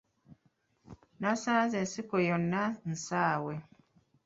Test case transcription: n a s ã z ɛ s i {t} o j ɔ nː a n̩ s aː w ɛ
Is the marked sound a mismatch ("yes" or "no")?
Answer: yes